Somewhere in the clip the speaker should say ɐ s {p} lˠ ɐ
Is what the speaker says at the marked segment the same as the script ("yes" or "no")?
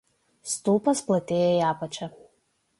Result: yes